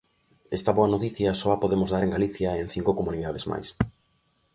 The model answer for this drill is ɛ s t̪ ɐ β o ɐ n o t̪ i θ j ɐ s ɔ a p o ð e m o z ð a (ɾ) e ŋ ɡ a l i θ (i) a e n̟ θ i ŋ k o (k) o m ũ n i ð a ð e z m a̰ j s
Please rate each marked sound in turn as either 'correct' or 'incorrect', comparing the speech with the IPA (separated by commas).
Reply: correct, incorrect, correct